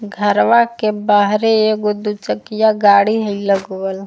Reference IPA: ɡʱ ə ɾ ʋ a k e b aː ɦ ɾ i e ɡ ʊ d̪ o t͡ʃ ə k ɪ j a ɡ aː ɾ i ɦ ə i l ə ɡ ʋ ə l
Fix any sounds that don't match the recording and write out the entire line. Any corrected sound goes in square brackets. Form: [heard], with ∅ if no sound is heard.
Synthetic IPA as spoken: ɡʱ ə ɾ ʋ a k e b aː ɦ ɾ [e] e ɡ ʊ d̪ [u] t͡ʃ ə k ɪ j a ɡ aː [ɽ] i ɦ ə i l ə ɡ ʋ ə l